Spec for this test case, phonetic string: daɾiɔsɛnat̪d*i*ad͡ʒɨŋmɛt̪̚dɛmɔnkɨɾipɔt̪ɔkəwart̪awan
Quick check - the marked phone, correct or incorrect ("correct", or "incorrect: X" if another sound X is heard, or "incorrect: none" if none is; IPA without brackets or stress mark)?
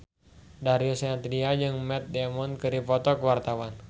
correct